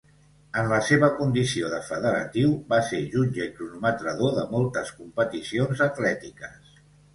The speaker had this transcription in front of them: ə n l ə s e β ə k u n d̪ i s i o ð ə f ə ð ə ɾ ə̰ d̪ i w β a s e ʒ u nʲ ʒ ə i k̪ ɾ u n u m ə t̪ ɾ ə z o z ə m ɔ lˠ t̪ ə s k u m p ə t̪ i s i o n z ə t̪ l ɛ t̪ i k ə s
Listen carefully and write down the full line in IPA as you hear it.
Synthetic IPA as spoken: ə n l ə s e β ə k u n d̪ i s i o ð ə f ə ð ə ɾ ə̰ t̪ i w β a s e ʒ u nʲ ʒ ə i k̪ ɾ u n u m ə t̪ ɾ ə ð o ð ə m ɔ lˠ t̪ ə s k u m p ə t̪ i s i o n z ə t̪ l ɛ t̪ i k ə s